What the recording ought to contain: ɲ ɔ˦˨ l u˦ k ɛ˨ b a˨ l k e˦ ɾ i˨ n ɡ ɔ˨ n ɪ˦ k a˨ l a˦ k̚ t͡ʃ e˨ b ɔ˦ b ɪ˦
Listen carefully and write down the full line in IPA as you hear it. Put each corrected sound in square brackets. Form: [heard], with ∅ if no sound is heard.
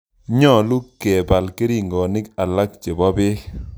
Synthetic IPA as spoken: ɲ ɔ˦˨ l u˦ k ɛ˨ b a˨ l k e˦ ɾ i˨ [ŋ] ɡ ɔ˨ n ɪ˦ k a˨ l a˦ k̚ t͡ʃ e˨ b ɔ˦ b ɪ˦